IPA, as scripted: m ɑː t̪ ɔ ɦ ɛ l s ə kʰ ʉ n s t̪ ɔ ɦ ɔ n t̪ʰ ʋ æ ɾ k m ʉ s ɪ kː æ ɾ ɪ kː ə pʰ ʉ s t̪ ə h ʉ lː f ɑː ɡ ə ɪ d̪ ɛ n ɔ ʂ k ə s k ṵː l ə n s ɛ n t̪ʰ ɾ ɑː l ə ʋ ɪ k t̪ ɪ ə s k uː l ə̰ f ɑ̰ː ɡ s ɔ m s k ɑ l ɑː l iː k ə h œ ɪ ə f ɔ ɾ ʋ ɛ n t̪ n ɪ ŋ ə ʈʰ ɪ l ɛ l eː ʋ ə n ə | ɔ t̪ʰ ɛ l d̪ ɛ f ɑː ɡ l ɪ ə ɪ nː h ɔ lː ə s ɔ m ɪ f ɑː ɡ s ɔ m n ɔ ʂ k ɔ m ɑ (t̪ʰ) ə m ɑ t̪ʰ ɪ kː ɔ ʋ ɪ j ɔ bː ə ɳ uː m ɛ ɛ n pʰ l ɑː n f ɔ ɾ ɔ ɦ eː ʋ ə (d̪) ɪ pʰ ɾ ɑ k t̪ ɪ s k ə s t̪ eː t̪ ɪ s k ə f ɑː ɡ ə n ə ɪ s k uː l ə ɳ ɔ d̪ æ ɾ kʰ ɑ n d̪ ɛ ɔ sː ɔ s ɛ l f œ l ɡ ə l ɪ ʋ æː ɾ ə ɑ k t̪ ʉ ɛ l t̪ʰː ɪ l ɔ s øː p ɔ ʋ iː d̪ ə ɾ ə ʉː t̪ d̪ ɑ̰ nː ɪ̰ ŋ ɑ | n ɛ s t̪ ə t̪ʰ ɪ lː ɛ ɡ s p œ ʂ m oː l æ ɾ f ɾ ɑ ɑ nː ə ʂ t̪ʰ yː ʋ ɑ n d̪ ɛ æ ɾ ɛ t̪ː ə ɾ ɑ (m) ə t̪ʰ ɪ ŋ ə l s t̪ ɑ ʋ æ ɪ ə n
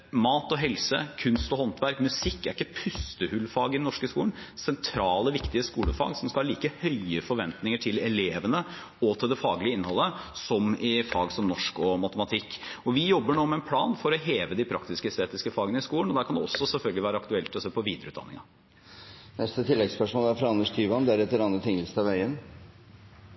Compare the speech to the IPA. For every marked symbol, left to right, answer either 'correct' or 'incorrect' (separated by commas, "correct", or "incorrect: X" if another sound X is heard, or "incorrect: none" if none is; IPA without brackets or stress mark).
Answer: incorrect: t̪, correct, incorrect: n